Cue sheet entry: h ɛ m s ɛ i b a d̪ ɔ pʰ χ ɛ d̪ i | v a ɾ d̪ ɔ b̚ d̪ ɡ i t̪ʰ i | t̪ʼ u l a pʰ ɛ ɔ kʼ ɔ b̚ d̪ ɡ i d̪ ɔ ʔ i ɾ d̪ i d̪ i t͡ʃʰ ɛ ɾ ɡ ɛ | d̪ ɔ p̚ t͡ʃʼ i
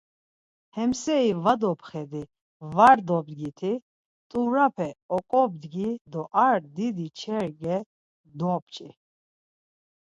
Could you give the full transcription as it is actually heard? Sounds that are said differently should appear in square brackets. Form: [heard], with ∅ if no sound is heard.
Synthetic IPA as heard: h ɛ m s ɛ i [v] a d̪ ɔ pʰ χ ɛ d̪ i | v a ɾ d̪ ɔ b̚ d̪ ɡ i t̪ʰ i | t̪ʼ u [ɾ] a pʰ ɛ ɔ kʼ ɔ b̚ d̪ ɡ i d̪ ɔ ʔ [a] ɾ d̪ i d̪ i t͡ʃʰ ɛ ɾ ɡ ɛ | d̪ ɔ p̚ t͡ʃʼ i